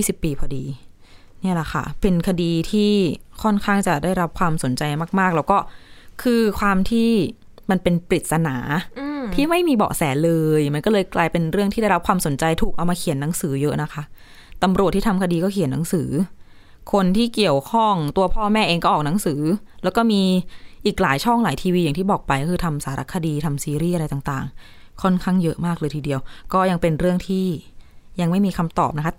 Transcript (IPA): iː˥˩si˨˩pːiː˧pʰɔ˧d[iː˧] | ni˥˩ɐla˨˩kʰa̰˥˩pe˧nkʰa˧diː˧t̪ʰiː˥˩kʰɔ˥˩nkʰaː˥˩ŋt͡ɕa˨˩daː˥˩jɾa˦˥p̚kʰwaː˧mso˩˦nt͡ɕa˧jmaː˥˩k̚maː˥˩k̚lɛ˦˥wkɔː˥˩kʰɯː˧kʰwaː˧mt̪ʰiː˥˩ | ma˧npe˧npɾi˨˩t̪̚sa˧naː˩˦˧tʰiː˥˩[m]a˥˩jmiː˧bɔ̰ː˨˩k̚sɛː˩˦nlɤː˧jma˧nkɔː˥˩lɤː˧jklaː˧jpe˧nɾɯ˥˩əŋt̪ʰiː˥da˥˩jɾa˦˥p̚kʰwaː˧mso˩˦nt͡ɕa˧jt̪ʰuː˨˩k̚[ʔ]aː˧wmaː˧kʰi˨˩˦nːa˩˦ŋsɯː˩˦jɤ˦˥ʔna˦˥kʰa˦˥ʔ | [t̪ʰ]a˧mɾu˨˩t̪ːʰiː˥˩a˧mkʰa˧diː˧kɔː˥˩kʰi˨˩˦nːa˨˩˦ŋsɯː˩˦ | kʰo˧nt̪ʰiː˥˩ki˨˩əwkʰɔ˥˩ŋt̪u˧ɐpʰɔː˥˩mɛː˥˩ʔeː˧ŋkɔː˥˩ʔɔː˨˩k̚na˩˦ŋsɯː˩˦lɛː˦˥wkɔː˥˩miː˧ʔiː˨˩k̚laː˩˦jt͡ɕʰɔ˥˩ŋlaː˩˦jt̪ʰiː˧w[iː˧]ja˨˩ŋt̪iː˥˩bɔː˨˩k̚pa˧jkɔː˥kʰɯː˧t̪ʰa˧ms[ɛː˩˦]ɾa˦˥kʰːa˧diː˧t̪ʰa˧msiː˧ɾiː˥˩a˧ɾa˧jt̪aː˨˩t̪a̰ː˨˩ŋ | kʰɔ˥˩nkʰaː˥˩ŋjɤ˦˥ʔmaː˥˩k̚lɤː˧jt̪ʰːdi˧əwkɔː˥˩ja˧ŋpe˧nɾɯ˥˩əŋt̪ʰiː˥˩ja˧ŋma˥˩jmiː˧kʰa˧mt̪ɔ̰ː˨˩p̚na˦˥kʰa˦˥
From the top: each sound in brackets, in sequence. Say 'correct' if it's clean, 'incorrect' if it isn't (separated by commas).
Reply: correct, correct, correct, incorrect, correct, incorrect